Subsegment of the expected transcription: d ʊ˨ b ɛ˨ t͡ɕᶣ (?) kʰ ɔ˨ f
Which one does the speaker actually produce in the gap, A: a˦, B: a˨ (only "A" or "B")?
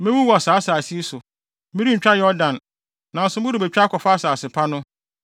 A